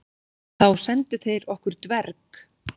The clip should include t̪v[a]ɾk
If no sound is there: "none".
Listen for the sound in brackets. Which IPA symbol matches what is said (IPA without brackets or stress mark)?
ɛ